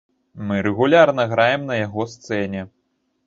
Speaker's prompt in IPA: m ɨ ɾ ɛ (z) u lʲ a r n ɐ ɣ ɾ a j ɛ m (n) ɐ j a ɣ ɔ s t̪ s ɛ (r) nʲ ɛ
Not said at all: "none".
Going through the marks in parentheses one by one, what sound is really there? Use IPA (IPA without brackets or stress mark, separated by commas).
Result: ɣ, n, none